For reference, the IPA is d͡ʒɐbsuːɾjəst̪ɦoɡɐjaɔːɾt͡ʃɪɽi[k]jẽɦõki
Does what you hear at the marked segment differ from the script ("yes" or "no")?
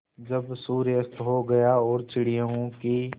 yes